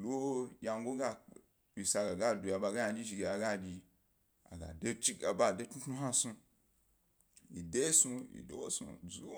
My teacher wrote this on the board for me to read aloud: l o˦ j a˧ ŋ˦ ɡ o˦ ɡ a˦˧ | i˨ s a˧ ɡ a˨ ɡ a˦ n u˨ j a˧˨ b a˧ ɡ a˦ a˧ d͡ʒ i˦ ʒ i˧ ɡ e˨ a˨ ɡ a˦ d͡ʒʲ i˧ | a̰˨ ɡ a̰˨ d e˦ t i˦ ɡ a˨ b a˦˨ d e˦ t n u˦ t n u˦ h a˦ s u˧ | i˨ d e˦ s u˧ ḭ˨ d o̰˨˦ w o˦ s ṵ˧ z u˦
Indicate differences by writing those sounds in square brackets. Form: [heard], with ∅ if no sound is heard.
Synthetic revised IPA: l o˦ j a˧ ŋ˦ ɡ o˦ ɡ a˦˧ | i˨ s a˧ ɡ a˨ ɡ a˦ [d] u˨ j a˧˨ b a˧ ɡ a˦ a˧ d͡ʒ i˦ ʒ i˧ ɡ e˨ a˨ ɡ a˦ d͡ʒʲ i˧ | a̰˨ ɡ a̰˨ d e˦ [t͡ʃ] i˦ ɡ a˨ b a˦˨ d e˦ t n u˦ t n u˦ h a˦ s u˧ | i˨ d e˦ s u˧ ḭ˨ d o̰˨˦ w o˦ s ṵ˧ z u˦

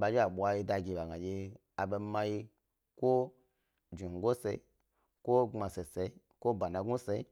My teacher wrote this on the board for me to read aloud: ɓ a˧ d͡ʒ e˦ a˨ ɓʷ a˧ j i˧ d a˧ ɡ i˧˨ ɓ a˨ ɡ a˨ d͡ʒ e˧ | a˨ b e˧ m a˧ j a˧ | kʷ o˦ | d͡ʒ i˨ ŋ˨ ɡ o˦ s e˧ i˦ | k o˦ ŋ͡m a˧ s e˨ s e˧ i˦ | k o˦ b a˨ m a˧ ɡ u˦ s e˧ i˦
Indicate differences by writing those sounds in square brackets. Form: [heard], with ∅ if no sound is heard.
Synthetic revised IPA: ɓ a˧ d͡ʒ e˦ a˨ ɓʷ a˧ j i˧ d a˧ ɡ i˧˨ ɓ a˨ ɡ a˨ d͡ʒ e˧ | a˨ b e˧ m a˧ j [i˧] | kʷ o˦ | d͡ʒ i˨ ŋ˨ ɡ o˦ s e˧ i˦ | k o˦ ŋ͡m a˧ s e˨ s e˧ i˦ | k o˦ b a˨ [n] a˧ ɡ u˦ s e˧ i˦

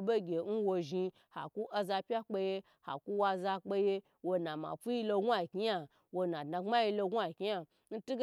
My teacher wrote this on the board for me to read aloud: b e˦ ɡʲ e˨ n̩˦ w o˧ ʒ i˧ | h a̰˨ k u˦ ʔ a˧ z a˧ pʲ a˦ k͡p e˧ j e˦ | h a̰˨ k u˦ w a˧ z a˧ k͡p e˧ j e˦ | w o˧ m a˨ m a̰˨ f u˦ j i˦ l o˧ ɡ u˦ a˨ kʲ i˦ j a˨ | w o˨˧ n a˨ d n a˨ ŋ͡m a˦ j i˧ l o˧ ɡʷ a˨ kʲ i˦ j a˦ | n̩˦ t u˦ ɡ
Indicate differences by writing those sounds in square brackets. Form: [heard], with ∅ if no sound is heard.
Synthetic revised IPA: b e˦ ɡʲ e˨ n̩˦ w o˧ ʒ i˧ | h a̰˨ k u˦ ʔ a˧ z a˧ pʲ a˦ k͡p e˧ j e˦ | h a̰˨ k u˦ w a˧ z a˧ k͡p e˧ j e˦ | w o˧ [n] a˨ m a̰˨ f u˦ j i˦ l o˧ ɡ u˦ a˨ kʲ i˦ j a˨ | w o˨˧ n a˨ d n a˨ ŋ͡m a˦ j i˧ l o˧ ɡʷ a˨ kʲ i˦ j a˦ | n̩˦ t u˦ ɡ

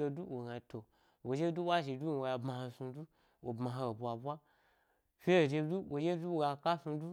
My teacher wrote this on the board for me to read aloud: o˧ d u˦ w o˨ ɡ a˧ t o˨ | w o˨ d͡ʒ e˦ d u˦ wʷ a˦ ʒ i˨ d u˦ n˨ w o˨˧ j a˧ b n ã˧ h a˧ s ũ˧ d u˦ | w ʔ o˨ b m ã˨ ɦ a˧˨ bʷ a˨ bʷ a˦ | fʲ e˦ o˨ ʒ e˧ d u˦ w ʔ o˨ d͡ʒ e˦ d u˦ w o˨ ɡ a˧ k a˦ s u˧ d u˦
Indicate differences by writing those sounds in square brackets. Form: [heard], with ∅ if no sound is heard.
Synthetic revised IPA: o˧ d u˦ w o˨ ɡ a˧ t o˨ | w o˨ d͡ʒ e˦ d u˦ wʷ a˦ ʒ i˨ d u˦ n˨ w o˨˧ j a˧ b [m] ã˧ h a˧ s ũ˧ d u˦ | w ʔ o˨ b m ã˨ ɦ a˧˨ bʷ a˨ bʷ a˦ | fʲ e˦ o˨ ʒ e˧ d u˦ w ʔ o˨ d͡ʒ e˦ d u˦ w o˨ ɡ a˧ k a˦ s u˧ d u˦

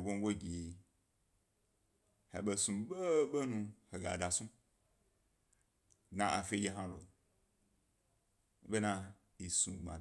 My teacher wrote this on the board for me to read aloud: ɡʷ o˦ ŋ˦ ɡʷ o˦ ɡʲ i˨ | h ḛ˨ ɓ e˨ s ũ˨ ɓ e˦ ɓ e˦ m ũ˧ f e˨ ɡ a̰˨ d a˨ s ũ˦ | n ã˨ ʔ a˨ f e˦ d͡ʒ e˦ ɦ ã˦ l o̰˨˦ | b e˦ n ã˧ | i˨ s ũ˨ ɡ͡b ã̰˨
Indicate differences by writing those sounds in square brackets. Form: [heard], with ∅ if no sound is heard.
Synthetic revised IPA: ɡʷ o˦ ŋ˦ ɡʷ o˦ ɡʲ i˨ | h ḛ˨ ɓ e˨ s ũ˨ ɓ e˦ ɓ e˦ [n] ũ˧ [h] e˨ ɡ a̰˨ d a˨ s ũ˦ | n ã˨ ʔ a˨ f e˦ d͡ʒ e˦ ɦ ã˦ l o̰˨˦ | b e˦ n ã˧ | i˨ s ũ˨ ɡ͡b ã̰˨

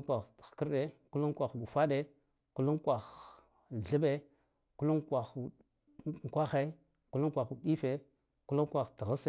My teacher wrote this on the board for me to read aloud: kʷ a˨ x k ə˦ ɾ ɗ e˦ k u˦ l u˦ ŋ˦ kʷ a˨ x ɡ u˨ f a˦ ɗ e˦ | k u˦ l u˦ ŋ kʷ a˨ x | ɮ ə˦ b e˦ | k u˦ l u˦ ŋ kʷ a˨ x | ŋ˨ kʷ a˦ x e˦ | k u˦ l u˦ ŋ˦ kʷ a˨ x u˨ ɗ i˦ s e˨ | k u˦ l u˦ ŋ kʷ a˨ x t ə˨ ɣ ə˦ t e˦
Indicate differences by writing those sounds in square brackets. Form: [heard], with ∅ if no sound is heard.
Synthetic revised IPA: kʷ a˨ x k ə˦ ɾ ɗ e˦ k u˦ l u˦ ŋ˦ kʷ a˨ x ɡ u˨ f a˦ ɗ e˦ | k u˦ l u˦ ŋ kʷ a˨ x | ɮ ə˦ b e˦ | k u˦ l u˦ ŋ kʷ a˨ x | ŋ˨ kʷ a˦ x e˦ | k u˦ l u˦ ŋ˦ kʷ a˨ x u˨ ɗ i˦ [f] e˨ | k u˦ l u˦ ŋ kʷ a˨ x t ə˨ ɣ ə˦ [s] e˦

